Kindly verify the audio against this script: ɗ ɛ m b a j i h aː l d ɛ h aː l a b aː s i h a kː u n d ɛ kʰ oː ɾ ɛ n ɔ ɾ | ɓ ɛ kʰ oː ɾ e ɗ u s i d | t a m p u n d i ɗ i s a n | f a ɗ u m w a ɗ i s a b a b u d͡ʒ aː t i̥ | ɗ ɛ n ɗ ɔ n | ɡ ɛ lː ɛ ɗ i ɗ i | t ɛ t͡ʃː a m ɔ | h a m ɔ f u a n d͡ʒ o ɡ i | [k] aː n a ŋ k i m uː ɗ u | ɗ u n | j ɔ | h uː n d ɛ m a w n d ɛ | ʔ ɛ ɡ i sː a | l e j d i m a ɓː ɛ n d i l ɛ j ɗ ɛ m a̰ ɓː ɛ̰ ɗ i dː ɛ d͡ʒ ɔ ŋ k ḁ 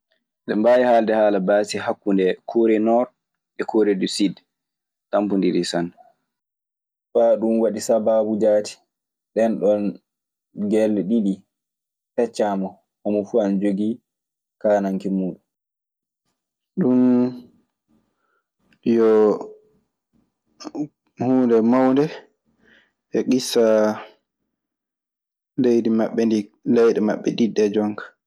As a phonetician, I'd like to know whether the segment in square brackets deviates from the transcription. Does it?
no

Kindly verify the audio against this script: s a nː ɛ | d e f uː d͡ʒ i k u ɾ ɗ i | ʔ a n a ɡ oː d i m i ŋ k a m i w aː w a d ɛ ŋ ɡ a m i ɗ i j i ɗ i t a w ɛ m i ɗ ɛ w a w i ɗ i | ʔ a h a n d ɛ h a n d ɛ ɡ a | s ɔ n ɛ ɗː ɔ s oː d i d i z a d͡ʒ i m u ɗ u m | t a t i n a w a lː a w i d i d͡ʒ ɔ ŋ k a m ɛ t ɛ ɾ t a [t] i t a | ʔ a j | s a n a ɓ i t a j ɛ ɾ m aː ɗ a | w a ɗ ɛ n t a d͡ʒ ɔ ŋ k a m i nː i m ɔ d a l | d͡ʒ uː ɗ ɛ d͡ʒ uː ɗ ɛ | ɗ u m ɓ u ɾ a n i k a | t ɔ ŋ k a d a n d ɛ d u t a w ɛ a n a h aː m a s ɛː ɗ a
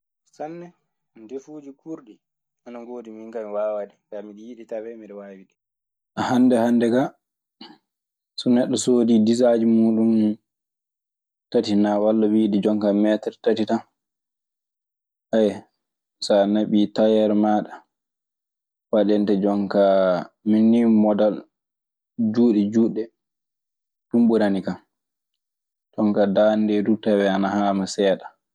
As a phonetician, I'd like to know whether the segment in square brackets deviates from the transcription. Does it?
no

